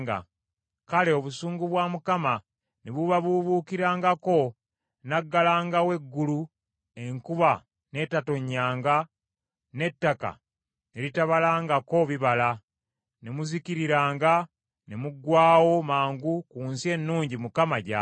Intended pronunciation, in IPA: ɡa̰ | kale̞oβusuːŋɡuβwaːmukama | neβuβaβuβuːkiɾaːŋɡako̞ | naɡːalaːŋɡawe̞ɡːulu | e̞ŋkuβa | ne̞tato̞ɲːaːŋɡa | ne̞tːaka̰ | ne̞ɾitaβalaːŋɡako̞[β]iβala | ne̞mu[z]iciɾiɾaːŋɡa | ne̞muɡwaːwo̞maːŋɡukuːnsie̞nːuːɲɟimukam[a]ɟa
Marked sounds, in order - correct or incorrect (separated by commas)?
correct, correct, correct